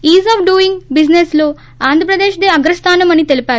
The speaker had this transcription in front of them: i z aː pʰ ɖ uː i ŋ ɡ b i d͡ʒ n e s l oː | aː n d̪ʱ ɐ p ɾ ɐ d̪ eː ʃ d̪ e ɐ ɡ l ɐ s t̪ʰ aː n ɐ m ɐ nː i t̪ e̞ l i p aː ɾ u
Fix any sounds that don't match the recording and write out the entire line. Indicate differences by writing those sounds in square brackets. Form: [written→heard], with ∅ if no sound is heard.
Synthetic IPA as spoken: [i→iː] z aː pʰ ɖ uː i ŋ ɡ b i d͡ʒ n e s l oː | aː n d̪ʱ ɐ p ɾ ɐ d̪ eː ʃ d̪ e ɐ ɡ [l→ɾ] ɐ s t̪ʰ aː n ɐ m ɐ [nː→n] i t̪ e̞ l i p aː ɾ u

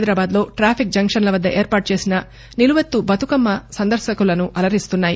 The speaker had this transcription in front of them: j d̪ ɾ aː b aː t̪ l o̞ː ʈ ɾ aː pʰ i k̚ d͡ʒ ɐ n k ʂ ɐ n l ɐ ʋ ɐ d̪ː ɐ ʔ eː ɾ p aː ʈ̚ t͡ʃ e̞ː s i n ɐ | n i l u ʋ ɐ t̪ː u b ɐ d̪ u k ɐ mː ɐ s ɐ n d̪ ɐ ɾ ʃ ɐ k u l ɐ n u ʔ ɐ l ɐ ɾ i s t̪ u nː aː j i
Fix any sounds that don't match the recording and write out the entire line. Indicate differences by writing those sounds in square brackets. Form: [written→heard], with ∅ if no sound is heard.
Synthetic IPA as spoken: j d̪ ɾ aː b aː [t̪→d̪] l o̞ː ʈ ɾ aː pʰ i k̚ d͡ʒ ɐ [n→ŋ] k ʂ ɐ n l ɐ ʋ ɐ d̪ː ɐ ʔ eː ɾ p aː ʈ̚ t͡ʃ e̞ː s i n ɐ | n i l u ʋ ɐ t̪ː u b ɐ [d̪→t̪] u k ɐ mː ɐ s ɐ n d̪ ɐ ɾ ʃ ɐ k u l ɐ n u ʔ ɐ l ɐ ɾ i s t̪ u nː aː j i

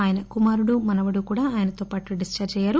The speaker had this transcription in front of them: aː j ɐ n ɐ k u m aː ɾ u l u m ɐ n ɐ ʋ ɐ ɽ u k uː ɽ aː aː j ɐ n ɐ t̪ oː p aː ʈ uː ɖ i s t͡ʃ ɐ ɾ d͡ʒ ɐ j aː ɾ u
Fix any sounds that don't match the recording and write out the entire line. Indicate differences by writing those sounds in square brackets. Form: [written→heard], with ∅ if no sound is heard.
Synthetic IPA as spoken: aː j ɐ n ɐ k u m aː ɾ u [l→ɽ] u m ɐ n ɐ ʋ ɐ ɽ u k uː ɽ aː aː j ɐ n ɐ t̪ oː p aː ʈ [uː→u] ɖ i s t͡ʃ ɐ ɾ d͡ʒ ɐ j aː ɾ u

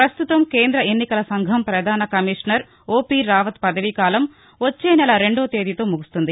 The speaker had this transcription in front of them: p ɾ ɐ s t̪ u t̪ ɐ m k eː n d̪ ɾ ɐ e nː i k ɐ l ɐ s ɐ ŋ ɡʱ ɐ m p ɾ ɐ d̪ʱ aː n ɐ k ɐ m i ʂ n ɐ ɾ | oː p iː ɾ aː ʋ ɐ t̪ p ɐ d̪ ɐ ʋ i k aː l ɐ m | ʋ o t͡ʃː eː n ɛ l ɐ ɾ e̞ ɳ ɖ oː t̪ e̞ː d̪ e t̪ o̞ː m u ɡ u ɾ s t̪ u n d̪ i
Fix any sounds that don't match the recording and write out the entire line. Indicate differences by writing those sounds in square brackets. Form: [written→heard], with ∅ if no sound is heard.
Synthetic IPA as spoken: p ɾ ɐ s t̪ u t̪ ɐ m k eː n d̪ ɾ ɐ e nː i k ɐ l ɐ s ɐ ŋ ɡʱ ɐ m p ɾ ɐ d̪ʱ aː n ɐ k ɐ m i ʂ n ɐ ɾ | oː p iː ɾ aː ʋ ɐ t̪ p ɐ d̪ ɐ ʋ i k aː l ɐ m | ʋ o t͡ʃː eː n ɛ l ɐ ɾ e̞ ɳ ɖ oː t̪ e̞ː d̪ [e→i] t̪ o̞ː m u ɡ u [ɾ→∅] s t̪ u n d̪ i

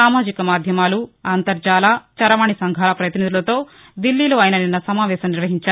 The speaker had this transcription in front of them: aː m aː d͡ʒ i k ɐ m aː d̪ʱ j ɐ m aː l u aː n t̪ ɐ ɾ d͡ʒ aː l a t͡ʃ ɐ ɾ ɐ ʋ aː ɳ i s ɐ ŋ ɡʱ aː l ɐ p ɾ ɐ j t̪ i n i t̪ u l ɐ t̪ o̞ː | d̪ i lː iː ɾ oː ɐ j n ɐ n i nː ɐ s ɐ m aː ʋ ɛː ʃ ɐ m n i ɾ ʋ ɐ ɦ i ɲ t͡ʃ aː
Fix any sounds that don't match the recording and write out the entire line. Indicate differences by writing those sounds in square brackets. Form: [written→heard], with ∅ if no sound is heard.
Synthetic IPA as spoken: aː m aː d͡ʒ i k ɐ m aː d̪ʱ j ɐ m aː l u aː n t̪ ɐ ɾ d͡ʒ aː l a t͡ʃ ɐ ɾ ɐ ʋ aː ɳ i s ɐ ŋ ɡʱ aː l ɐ p ɾ ɐ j t̪ i n i [t̪→d̪] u l ɐ t̪ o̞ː | d̪ i lː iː [ɾ→l] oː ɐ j n ɐ n i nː ɐ s ɐ m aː ʋ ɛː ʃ ɐ m n i ɾ ʋ ɐ ɦ i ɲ t͡ʃ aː

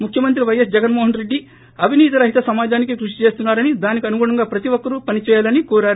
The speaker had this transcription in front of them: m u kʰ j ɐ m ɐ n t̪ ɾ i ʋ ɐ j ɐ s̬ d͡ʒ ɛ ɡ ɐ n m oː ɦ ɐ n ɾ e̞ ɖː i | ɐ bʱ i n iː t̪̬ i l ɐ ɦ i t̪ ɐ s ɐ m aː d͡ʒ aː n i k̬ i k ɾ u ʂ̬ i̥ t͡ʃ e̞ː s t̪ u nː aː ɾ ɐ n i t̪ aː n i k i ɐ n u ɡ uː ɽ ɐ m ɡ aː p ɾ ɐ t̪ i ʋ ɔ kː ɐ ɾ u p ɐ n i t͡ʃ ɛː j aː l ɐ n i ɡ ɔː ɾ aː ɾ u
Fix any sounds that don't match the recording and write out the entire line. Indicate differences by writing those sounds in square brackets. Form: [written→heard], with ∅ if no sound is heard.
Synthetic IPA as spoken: m u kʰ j ɐ m ɐ n t̪ ɾ i ʋ ɐ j ɐ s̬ d͡ʒ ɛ ɡ ɐ n m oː ɦ ɐ n ɾ e̞ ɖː i | ɐ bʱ i n iː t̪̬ i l ɐ ɦ i t̪ ɐ s ɐ m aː d͡ʒ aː n i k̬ i k ɾ u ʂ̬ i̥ t͡ʃ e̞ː s t̪ u nː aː ɾ ɐ n i [t̪→d̪] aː n i k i ɐ n u ɡ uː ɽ ɐ [m→ŋ] ɡ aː p ɾ ɐ t̪ i ʋ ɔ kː ɐ ɾ u p ɐ n i t͡ʃ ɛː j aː l ɐ n i [ɡ→k] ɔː ɾ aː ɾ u

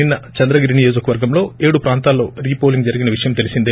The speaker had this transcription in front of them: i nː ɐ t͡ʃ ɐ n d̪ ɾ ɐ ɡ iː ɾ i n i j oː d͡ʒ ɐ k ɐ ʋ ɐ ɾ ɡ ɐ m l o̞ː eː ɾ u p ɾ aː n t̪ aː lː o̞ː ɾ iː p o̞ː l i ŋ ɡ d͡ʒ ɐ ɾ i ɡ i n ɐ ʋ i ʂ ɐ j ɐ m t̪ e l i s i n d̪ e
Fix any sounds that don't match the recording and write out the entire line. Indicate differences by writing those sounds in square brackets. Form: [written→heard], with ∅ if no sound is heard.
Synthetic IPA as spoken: i nː ɐ t͡ʃ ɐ n d̪ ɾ ɐ ɡ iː ɾ i n i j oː d͡ʒ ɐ k ɐ ʋ ɐ ɾ ɡ ɐ m l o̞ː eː [ɾ→ɽ] u p ɾ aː n t̪ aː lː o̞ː ɾ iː p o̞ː l i ŋ ɡ d͡ʒ ɐ ɾ i ɡ i n ɐ ʋ i ʂ ɐ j ɐ m t̪ e l i s i n d̪ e

